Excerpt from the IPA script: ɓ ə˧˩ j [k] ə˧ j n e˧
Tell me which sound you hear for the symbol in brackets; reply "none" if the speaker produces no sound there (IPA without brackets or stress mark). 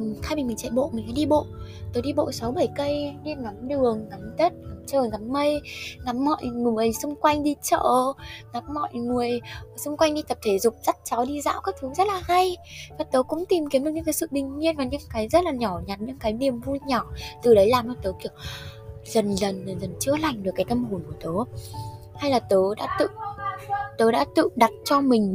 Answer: k